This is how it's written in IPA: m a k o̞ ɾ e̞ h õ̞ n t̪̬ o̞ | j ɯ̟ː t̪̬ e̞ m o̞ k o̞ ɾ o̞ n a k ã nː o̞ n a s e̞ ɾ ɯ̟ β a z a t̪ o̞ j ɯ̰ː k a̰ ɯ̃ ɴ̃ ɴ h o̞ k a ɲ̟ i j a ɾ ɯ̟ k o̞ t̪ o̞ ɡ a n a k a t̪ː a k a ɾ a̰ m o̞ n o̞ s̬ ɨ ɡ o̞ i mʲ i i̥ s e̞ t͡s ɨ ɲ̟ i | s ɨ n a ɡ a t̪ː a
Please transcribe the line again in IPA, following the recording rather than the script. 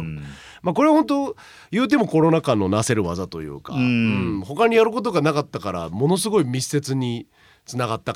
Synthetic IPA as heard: m a k o̞ ɾ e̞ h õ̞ n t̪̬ o̞ | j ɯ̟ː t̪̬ e̞ m o̞ k o̞ ɾ o̞ n a k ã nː o̞ n a s e̞ ɾ ɯ̟ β a z a t̪ o̞ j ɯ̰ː k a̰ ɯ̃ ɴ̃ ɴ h o̞ k a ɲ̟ i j a ɾ ɯ̟ k o̞ t̪ o̞ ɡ a n a k a t̪ː a k a ɾ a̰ m o̞ n o̞ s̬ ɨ ɡ o̞ i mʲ i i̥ s e̞ t͡s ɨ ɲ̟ i | t͡s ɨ n a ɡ a t̪ː a